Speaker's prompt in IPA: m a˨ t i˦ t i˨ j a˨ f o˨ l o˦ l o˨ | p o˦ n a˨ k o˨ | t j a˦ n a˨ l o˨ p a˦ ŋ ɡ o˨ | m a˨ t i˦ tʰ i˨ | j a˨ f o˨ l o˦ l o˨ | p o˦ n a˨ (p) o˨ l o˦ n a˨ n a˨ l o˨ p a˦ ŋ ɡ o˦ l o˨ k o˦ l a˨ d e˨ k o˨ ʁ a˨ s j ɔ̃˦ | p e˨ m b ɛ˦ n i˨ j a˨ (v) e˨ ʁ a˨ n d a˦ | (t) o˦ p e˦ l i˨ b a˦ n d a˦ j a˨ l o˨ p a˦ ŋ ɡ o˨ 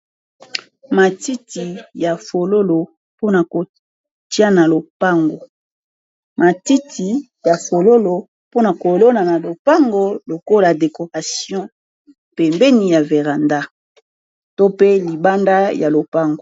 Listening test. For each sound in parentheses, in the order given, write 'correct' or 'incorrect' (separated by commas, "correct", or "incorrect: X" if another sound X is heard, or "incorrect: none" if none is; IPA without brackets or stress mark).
incorrect: k, correct, correct